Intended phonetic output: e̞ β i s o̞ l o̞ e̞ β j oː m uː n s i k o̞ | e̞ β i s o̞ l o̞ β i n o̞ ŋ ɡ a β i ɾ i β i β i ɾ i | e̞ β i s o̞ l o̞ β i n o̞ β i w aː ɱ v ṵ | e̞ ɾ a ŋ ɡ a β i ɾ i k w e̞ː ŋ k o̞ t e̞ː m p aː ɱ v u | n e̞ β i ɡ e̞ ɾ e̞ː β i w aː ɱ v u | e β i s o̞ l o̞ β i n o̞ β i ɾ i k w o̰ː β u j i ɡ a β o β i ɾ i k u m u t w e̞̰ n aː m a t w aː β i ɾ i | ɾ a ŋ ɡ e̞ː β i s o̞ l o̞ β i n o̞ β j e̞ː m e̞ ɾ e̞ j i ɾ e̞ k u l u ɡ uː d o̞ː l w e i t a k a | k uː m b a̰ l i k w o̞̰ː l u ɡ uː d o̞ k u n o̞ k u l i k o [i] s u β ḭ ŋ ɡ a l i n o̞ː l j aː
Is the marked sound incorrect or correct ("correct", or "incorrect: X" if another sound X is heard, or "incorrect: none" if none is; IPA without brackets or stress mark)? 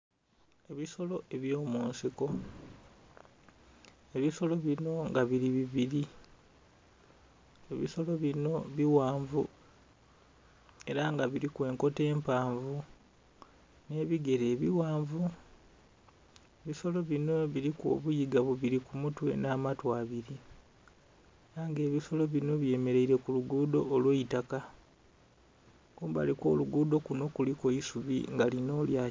correct